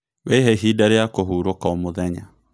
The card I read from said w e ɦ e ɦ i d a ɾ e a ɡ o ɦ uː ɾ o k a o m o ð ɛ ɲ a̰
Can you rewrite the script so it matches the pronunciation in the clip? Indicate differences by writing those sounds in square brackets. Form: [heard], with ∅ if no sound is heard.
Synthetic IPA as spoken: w e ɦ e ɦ i d a ɾ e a [k] o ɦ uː ɾ o k a o m o ð ɛ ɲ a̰